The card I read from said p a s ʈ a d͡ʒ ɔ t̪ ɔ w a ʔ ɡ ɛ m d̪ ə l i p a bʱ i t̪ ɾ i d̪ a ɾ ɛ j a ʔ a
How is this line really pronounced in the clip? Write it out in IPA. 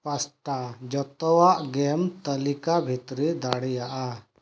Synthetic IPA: p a s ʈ a d͡ʒ ɔ t̪ ɔ w a ʔ ɡ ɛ m t̪ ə l i k a bʱ i t̪ ɾ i d̪ a ɽ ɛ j a ʔ a